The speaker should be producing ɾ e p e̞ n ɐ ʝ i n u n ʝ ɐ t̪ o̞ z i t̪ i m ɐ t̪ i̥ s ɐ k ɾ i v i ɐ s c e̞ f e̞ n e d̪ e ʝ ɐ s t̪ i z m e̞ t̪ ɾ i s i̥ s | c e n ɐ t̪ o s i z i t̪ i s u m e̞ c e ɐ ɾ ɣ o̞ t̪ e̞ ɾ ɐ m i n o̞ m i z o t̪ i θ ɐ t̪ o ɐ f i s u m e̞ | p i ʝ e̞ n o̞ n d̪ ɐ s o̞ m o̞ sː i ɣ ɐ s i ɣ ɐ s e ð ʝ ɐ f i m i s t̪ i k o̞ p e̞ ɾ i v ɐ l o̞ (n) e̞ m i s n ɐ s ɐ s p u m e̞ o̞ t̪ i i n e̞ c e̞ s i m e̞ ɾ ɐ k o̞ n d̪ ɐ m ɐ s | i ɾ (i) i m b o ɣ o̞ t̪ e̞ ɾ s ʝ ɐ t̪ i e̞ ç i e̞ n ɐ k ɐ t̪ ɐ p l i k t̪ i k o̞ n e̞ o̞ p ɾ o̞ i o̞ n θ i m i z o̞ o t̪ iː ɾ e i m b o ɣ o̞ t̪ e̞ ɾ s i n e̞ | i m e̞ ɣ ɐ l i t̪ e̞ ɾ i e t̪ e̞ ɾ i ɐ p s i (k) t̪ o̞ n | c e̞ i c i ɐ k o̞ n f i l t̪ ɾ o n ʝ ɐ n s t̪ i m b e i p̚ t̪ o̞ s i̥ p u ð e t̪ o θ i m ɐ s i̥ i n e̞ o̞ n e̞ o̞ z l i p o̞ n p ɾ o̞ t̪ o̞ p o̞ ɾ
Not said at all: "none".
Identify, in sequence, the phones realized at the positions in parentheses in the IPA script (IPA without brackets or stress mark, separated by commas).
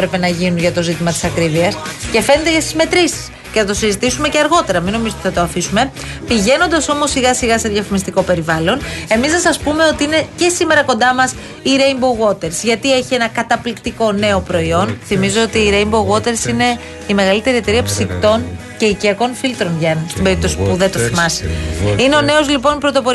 n, e, k